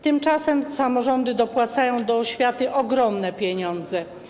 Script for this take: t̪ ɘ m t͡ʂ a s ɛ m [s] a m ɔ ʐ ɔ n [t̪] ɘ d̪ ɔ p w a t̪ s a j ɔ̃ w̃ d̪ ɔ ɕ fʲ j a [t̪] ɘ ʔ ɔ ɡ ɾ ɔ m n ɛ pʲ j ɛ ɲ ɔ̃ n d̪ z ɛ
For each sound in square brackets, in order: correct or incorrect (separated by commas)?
correct, incorrect, correct